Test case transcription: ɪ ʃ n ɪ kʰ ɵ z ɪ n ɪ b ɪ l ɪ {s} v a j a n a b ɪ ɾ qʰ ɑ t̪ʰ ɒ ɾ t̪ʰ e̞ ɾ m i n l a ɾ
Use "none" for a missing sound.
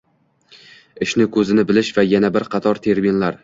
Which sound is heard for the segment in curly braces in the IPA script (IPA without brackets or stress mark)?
ʃ